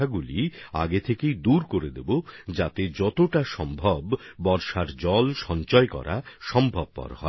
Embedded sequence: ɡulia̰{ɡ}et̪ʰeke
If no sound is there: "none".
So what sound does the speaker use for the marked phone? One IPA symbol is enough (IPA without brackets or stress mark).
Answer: ɡ